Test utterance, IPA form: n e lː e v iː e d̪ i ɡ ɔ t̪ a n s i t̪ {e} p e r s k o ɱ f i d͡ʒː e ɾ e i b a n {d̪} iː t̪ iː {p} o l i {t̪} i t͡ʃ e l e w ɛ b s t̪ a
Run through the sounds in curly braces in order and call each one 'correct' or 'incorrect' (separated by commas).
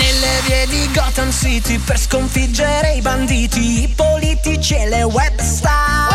incorrect, correct, correct, correct